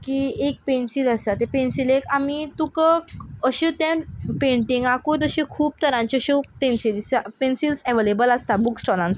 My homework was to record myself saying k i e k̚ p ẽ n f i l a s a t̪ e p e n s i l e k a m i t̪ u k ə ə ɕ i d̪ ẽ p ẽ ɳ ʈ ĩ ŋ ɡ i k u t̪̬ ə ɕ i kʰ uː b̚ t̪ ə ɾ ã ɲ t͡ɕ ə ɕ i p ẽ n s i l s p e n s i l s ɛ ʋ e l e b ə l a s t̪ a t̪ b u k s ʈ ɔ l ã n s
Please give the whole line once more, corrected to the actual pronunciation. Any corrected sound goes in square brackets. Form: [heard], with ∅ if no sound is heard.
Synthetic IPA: k i e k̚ p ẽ n [s] i l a s a t̪ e p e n s i l e k a m i t̪ u k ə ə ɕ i [t̪] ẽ p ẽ ɳ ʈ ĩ ŋ ɡ [a] k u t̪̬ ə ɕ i kʰ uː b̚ t̪ ə ɾ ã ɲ t͡ɕ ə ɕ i p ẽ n s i l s p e n s i l s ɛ ʋ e l e b ə l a s t̪ a [∅] b u k s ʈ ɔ l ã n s